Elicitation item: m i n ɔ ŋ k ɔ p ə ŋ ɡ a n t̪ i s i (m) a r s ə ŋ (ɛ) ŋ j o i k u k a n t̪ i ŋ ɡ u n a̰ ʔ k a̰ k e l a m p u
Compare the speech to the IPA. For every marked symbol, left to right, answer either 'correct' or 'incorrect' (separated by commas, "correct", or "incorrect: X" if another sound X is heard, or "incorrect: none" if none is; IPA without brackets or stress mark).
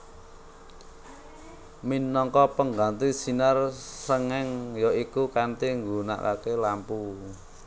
incorrect: n, correct